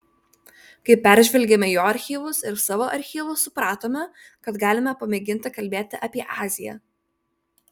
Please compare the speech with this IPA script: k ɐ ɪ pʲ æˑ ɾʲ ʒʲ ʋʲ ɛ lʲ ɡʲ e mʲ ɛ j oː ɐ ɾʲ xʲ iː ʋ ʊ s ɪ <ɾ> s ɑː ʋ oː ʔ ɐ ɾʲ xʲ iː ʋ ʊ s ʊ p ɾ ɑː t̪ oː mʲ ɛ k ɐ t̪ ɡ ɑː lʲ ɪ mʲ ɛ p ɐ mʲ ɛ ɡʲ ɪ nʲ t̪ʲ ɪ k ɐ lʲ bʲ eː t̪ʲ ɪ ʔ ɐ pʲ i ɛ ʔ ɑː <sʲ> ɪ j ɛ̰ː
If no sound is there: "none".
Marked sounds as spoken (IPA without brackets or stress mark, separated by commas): ɾ, zʲ